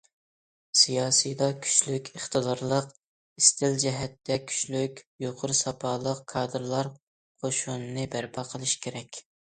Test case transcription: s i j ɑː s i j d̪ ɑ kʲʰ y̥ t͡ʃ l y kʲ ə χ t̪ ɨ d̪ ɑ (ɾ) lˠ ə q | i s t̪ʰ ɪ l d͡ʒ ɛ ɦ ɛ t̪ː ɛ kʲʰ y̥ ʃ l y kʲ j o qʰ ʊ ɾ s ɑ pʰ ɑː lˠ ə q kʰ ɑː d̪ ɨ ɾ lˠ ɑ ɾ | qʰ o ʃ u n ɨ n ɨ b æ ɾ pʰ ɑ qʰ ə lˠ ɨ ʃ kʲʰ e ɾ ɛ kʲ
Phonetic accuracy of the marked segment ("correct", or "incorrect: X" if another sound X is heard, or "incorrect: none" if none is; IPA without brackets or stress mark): correct